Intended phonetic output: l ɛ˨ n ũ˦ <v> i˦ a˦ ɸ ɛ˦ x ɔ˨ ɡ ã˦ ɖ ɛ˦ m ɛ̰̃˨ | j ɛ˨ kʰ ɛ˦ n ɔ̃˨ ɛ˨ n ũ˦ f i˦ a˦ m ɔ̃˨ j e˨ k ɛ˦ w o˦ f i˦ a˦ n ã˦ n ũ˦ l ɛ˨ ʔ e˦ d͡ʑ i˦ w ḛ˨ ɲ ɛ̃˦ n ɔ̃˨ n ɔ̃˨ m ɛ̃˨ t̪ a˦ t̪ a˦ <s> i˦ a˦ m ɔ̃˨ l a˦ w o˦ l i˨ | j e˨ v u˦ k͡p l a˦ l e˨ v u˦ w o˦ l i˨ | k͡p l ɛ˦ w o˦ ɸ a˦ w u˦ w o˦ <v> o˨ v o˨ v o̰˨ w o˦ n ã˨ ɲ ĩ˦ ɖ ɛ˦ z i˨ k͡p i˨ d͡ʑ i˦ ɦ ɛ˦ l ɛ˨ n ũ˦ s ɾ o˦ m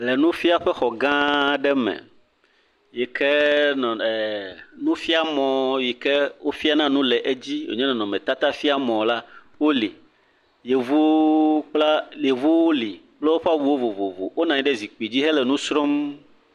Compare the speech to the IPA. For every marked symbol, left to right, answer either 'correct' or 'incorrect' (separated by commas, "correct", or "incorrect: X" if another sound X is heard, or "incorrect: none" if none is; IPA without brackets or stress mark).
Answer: incorrect: f, incorrect: f, correct